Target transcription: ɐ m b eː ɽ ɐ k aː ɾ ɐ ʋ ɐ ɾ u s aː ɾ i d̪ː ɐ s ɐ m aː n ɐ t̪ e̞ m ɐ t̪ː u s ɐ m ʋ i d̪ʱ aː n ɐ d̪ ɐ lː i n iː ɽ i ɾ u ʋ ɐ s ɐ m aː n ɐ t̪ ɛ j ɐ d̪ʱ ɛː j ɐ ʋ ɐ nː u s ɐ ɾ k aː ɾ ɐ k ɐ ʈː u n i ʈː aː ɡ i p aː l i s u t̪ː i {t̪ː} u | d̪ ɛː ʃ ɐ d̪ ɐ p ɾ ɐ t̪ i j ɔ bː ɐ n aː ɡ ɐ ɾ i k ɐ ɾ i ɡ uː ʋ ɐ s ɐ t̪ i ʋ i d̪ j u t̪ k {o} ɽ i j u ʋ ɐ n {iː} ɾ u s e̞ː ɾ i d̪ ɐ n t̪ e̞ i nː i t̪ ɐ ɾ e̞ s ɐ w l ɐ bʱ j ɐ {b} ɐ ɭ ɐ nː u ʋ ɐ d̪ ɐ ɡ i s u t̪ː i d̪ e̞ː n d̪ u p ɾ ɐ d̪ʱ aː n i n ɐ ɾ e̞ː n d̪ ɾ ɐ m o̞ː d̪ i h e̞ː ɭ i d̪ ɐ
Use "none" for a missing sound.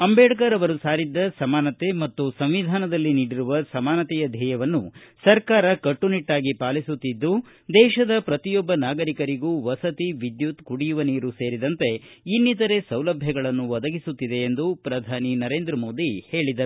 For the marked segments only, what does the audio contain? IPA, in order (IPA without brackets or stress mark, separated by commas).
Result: d̪ː, u, iː, ɡ